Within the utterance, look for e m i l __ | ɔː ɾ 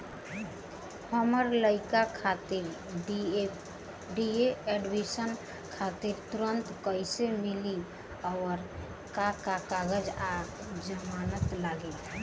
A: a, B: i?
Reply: B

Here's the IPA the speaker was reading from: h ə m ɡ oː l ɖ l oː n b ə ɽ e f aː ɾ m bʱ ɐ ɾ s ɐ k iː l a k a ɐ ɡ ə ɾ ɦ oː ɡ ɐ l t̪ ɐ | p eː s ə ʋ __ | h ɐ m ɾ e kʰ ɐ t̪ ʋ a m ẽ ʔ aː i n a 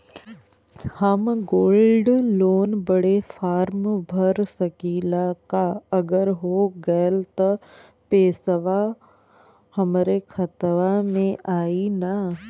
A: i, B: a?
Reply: B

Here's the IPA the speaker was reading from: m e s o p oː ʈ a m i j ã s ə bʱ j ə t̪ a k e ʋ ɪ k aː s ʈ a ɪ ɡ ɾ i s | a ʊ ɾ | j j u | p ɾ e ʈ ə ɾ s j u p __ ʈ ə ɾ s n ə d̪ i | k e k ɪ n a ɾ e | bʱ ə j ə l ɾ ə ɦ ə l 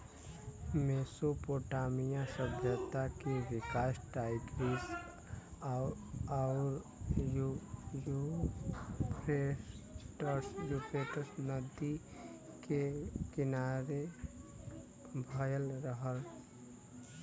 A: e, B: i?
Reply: A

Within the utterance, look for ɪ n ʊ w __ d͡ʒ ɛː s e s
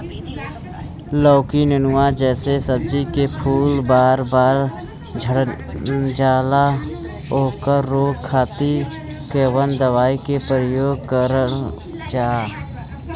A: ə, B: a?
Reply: B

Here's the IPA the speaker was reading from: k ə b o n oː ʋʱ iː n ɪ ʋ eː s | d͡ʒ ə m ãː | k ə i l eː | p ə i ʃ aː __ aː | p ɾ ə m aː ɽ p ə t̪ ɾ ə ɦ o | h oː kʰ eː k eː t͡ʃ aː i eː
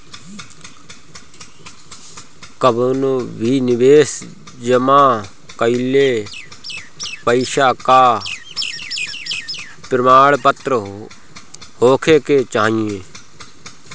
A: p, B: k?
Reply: B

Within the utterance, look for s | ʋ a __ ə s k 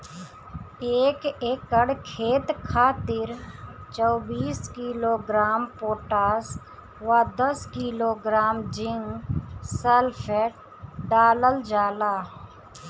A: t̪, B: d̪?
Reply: B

